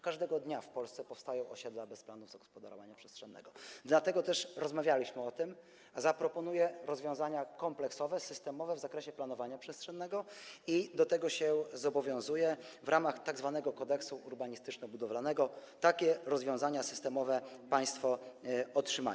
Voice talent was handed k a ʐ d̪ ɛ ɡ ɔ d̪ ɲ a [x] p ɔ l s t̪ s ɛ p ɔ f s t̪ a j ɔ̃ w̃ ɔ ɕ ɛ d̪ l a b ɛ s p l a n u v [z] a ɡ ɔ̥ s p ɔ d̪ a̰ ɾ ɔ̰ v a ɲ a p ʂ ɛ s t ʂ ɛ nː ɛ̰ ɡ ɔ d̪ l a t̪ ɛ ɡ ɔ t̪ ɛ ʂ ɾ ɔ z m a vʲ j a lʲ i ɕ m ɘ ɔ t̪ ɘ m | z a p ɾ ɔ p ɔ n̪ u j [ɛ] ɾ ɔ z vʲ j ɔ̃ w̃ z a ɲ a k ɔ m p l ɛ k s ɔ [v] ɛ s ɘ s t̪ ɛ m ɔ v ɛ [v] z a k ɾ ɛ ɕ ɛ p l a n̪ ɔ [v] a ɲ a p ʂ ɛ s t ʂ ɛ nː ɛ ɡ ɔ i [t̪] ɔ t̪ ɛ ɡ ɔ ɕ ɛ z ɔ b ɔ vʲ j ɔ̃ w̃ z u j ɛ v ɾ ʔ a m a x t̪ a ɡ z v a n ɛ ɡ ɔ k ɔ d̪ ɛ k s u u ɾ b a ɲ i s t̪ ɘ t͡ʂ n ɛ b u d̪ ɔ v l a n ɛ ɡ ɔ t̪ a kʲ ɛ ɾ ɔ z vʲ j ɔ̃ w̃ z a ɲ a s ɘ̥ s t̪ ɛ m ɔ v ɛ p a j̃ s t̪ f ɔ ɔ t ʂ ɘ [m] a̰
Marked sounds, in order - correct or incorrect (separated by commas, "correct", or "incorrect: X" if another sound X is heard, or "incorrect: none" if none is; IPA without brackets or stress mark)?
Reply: incorrect: f, correct, correct, correct, correct, correct, incorrect: d̪, correct